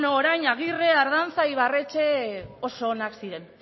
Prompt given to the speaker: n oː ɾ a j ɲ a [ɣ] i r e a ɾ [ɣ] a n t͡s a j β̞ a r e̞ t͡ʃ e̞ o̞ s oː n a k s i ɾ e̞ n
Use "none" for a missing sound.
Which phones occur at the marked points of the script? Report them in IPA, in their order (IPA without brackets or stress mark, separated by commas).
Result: ɣ, ð